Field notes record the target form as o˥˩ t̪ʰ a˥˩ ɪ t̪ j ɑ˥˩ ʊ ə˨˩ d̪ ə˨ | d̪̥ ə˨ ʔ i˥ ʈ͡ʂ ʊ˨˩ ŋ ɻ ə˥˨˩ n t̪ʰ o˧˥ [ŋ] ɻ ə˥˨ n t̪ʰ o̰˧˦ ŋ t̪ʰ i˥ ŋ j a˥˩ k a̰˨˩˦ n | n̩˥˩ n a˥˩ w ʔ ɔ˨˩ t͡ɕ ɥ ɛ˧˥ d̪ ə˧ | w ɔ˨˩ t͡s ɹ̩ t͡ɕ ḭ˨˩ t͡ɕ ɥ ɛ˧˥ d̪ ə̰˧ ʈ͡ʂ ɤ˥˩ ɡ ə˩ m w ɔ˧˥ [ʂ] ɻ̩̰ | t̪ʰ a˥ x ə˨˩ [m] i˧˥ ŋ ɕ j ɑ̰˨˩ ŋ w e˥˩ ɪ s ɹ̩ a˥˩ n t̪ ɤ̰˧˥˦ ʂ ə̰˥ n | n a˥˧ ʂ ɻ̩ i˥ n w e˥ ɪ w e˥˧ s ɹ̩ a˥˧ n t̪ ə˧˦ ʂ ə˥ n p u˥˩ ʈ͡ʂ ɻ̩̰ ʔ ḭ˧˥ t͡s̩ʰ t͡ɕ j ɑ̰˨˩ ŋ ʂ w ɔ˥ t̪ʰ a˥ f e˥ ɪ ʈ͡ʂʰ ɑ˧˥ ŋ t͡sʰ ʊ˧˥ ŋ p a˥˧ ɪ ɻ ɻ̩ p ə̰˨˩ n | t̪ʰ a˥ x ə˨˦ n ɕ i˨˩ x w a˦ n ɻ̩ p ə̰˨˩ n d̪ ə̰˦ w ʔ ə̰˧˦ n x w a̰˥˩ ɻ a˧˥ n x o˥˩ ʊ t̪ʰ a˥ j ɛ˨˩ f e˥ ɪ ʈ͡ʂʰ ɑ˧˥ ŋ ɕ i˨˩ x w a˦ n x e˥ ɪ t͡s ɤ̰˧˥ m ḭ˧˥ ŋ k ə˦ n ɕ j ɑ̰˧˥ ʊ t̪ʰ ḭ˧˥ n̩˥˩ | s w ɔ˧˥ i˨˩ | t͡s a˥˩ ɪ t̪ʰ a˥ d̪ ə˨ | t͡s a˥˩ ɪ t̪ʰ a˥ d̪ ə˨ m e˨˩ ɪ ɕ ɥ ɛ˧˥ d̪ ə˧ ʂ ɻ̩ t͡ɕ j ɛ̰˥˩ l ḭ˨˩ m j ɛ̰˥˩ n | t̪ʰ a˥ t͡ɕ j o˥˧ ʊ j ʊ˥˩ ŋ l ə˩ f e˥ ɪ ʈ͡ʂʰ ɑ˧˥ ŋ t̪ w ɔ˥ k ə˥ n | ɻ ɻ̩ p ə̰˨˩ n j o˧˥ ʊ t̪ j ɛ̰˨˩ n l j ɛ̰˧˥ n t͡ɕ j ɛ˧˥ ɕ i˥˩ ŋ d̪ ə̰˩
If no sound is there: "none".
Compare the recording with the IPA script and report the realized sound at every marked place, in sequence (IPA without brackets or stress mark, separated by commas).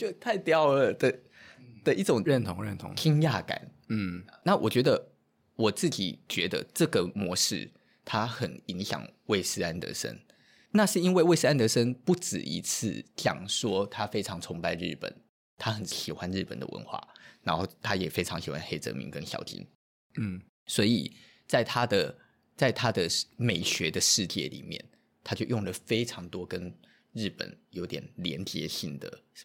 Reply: ŋ, ʂ, n